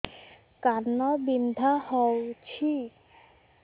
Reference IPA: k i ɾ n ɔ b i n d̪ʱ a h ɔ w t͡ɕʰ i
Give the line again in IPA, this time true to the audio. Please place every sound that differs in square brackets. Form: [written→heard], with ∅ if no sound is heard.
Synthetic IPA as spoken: k [i→a] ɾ n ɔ b i n d̪ʱ a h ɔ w t͡ɕʰ i